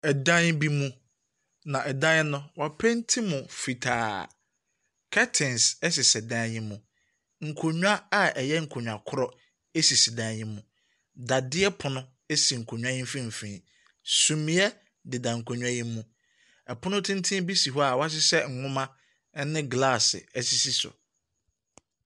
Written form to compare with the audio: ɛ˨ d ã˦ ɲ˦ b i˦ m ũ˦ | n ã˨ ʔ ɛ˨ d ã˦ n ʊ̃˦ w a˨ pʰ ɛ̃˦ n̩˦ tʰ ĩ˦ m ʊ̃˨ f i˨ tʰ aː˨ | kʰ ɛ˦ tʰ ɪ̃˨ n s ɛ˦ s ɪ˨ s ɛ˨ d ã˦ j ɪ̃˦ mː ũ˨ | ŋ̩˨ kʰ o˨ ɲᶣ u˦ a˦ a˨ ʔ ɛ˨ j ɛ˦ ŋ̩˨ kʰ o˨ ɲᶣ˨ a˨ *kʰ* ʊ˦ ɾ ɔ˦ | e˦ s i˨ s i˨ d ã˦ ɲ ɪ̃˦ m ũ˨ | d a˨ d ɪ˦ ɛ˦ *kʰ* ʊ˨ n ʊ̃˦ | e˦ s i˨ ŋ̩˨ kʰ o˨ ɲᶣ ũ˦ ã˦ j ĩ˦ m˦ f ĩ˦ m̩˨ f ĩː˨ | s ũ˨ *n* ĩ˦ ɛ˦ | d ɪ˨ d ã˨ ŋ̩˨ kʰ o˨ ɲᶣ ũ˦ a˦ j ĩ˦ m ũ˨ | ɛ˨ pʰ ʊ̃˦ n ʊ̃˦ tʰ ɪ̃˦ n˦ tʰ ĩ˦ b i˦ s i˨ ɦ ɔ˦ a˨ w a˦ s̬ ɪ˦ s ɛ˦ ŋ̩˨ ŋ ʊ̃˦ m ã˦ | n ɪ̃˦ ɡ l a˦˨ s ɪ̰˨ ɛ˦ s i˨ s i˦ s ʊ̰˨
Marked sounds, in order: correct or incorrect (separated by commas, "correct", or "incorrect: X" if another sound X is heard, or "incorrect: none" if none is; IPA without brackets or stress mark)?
correct, incorrect: pʰ, incorrect: m